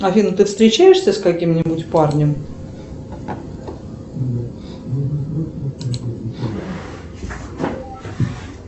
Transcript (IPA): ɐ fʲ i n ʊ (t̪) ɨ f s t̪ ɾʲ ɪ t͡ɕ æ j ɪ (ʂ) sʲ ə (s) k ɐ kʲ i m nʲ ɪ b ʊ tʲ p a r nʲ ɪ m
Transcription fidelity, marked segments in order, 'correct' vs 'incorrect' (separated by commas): correct, correct, correct